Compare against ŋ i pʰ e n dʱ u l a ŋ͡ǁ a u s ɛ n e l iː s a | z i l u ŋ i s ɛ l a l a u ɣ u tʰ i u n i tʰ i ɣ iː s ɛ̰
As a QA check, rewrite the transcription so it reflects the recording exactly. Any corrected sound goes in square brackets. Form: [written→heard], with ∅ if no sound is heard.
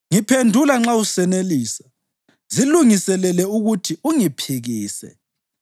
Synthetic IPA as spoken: ŋ i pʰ e n dʱ u l a ŋ͡ǁ a u s ɛ n e l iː s a | z i l u ŋ i s ɛ l [a→ɛ] l [a→ɛ] u ɣ u tʰ i u [n→ŋ] i [tʰ→pʰ] i ɣ iː s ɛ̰